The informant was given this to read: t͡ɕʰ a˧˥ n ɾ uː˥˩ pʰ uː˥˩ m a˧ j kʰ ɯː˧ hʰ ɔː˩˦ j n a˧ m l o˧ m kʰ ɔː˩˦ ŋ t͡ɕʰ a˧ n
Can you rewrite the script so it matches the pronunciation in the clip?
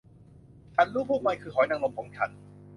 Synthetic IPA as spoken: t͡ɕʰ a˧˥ n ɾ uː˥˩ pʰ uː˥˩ m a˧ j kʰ ɯː˧ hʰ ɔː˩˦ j n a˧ ŋ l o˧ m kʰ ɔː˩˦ ŋ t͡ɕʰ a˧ n